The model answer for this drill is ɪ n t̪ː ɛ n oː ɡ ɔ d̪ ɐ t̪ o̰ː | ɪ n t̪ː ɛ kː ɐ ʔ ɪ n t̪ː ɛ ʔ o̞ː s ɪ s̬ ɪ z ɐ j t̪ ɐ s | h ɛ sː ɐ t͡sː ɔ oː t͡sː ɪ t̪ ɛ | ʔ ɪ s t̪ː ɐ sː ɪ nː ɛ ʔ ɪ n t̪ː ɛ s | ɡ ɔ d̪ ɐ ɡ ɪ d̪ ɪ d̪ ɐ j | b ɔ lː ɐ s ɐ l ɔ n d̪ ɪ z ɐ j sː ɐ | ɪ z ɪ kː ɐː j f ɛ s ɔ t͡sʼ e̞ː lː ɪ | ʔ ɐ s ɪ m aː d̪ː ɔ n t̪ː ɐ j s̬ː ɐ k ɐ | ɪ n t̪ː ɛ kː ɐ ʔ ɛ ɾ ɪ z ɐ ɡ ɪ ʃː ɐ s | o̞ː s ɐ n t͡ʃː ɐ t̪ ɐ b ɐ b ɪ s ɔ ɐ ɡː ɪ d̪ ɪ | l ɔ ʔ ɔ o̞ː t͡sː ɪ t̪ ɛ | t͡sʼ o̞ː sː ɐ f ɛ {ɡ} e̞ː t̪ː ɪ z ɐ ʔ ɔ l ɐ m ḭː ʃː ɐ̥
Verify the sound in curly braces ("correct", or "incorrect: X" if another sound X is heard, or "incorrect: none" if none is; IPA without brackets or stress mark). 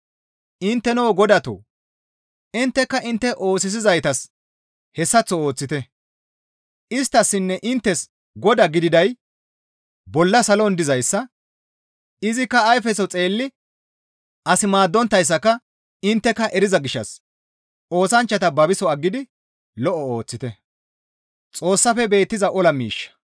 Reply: incorrect: b